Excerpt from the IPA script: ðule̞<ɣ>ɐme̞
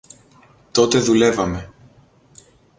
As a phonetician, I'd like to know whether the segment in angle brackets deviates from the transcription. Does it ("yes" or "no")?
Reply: yes